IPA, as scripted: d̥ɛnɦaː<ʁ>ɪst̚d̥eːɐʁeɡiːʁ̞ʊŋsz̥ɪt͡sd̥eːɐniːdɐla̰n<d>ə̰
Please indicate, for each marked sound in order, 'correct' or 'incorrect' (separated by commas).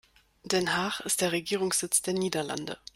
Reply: incorrect, correct